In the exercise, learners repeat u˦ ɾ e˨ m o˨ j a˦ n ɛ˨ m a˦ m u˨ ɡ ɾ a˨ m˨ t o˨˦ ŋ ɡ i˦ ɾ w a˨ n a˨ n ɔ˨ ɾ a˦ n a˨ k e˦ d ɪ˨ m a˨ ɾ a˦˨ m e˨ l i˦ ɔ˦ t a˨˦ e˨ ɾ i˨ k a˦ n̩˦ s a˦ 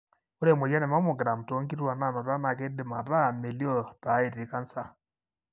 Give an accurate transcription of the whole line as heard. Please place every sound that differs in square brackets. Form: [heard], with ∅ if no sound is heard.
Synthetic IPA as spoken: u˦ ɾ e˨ m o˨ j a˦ n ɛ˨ m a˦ m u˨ ɡ ɾ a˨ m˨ t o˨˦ ŋ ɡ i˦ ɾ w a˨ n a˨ n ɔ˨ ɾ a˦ n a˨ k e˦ d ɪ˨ m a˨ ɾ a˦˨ m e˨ l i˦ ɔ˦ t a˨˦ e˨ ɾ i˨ k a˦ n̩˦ s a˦